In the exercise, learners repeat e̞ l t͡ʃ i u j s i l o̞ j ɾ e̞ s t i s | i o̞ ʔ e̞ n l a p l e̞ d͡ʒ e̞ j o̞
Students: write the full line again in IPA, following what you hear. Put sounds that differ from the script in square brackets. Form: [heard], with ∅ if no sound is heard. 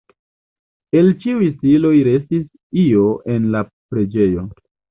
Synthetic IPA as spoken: e̞ l t͡ʃ i u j s i l o̞ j ɾ e̞ s t i s | i o̞ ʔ e̞ n l a p [ɾ] e̞ d͡ʒ e̞ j o̞